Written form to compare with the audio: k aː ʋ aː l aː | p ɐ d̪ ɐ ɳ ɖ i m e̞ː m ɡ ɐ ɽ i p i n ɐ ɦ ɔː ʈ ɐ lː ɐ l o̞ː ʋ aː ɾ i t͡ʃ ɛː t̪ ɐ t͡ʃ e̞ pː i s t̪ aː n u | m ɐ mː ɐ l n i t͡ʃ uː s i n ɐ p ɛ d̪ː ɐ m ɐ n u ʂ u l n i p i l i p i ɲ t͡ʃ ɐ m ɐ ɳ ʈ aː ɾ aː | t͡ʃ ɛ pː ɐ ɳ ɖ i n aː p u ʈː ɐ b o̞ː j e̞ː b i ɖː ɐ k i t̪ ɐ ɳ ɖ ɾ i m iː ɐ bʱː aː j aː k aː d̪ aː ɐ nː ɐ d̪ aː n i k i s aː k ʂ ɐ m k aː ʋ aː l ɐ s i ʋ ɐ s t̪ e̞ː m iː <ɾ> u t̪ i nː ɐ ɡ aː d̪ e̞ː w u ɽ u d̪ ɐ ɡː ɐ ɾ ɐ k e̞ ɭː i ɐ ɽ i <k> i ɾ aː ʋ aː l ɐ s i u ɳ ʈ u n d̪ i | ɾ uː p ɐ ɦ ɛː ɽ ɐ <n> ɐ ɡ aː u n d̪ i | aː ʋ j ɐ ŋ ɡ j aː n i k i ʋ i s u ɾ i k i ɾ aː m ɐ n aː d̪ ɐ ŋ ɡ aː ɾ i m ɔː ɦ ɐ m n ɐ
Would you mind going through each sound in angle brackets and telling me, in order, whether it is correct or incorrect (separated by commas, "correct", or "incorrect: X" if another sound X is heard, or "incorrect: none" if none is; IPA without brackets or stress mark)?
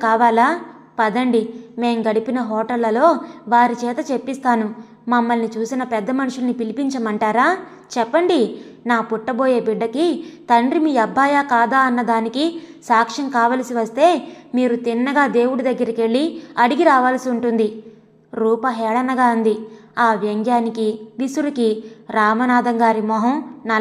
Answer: correct, incorrect: ɡ, correct